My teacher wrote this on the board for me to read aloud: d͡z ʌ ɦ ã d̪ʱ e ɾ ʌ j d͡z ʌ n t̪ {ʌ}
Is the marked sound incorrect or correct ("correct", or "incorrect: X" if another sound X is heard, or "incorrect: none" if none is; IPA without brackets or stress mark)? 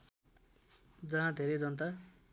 incorrect: a